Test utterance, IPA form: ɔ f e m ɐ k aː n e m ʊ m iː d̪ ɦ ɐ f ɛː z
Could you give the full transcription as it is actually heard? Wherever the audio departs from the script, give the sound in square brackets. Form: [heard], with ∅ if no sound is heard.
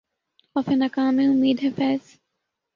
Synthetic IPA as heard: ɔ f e [n] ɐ k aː [m] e [∅] ʊ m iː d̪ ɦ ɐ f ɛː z